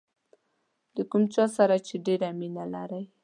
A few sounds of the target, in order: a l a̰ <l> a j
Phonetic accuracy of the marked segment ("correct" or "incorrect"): incorrect